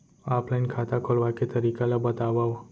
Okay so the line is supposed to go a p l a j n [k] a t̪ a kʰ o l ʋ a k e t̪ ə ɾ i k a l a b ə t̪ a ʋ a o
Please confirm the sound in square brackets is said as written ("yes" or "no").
no